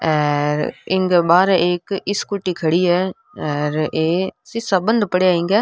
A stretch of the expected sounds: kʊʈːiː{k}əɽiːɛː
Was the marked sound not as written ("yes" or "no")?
yes